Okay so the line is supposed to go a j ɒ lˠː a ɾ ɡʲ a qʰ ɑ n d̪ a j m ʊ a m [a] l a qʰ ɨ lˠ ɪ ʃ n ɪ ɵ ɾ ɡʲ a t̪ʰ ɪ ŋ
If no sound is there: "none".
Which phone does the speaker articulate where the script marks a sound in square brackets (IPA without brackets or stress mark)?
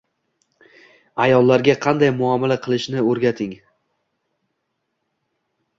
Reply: a